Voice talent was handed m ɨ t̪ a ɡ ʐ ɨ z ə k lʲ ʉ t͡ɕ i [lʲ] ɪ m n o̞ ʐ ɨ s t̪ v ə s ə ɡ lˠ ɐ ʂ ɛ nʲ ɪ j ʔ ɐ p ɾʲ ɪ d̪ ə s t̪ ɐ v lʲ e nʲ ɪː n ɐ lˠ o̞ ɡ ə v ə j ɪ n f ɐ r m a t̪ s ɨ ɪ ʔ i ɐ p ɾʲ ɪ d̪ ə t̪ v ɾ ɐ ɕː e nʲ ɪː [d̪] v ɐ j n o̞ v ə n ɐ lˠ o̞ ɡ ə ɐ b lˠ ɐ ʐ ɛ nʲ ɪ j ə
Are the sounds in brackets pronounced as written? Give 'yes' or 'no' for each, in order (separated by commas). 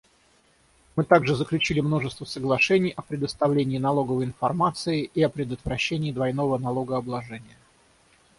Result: yes, yes